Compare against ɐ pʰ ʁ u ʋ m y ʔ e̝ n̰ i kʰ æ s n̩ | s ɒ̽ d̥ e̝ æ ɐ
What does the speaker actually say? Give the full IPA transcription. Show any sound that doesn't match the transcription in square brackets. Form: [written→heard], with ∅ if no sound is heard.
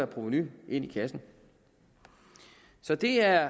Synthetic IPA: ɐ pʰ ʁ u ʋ [m→n] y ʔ e̝ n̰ i kʰ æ s n̩ | s ɒ̽ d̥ e̝ æ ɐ